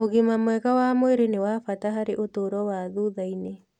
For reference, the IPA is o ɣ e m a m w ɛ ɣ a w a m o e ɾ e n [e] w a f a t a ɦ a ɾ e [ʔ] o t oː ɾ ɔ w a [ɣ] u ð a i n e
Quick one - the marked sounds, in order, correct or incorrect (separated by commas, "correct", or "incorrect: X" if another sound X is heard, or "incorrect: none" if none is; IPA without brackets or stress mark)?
correct, correct, incorrect: ð